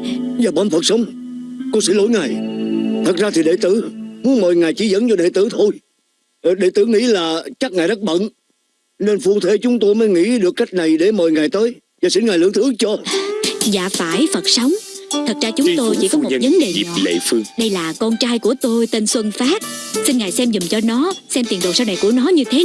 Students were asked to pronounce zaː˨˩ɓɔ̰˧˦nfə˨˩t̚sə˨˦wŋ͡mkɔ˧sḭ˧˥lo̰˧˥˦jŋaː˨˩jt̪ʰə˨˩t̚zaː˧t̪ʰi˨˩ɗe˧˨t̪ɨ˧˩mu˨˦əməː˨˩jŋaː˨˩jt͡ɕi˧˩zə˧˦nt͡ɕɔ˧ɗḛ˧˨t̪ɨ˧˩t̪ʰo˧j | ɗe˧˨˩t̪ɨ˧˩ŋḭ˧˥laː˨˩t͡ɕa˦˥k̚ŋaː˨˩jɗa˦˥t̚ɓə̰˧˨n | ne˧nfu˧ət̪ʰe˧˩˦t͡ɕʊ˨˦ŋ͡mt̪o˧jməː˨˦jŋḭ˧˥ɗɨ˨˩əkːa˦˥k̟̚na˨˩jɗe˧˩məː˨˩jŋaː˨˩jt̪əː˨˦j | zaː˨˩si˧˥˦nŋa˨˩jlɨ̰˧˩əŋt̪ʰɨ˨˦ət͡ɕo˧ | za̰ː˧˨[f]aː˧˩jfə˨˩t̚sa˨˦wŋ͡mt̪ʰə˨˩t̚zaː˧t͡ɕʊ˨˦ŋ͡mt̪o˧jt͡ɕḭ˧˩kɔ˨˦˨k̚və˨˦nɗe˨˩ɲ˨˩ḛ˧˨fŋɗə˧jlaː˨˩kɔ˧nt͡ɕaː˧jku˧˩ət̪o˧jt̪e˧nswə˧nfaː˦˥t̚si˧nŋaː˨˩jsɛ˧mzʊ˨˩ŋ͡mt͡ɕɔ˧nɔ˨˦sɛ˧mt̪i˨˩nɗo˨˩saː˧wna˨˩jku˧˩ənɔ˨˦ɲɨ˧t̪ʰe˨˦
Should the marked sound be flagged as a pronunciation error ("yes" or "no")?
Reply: no